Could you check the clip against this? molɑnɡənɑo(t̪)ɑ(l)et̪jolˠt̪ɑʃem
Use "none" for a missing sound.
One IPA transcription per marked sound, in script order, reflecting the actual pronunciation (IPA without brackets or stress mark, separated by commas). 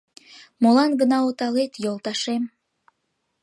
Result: t̪, l